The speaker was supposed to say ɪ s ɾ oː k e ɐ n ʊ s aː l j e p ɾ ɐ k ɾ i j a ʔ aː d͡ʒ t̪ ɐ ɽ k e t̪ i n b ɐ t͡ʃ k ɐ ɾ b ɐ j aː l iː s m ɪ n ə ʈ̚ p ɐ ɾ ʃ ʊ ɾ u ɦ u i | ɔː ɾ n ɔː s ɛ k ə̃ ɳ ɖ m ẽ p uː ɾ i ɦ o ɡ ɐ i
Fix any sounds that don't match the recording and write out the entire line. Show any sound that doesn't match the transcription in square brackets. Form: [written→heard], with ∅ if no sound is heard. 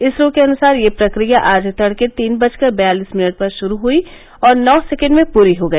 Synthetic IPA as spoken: ɪ s ɾ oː k e ɐ n ʊ s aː [l→ɾ] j e p ɾ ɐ k ɾ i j a ʔ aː d͡ʒ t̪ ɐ ɽ k e t̪ [i→iː] n b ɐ t͡ʃ k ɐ ɾ b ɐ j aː l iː s m ɪ n ə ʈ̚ p ɐ ɾ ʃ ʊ ɾ u ɦ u i | ɔː ɾ n ɔː s ɛ k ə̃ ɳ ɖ m ẽ p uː ɾ i ɦ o ɡ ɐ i

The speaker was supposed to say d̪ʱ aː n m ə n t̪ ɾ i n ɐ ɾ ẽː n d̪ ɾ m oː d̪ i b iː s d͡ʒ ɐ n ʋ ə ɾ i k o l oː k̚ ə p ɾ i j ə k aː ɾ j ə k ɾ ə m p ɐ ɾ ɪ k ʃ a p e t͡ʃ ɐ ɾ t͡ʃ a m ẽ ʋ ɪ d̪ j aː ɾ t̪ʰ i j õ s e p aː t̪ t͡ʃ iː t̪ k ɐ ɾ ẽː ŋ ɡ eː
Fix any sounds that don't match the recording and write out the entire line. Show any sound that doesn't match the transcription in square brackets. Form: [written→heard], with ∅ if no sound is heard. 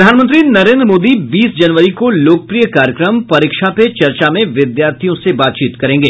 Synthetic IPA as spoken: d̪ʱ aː n m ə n t̪ ɾ i n ɐ ɾ ẽː n d̪ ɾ m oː d̪ i b iː s d͡ʒ ɐ n ʋ ə ɾ i k o l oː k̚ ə p ɾ i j ə k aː ɾ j ə k ɾ ə m p ɐ ɾ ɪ k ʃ a p e t͡ʃ ɐ ɾ t͡ʃ a m ẽ ʋ ɪ d̪ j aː ɾ t̪ʰ i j õ s e [p→b] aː t̪ t͡ʃ iː t̪ k ɐ ɾ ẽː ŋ ɡ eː

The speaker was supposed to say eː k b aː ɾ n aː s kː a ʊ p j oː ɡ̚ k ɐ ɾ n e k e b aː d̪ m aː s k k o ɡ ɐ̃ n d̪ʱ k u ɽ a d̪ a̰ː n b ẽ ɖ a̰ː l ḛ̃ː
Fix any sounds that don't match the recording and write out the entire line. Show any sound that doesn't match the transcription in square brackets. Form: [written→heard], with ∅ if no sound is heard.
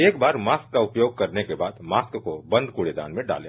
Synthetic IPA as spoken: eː k b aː ɾ [n→m] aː s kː a ʊ p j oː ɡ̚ k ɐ ɾ n e k e b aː d̪ m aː s k k o [ɡ→b] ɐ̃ n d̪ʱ k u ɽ [a→e] d̪ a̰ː n [b→m] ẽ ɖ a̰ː l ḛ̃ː

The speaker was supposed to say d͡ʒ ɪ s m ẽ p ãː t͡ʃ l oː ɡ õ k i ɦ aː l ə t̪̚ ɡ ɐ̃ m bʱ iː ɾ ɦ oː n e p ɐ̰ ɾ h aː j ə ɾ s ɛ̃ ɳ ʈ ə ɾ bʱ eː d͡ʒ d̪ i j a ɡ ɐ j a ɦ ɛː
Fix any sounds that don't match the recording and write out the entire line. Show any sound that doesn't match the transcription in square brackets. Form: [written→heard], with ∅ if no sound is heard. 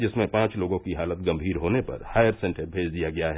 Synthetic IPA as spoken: d͡ʒ ɪ s m ẽ p ãː t͡ʃ l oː ɡ õ k i ɦ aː l ə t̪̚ ɡ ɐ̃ m bʱ iː ɾ ɦ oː n e p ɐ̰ ɾ h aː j ə ɾ s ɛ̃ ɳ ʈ ə ɾ bʱ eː d͡ʒ d̪ i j a ɡ ɐ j a ɦ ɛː

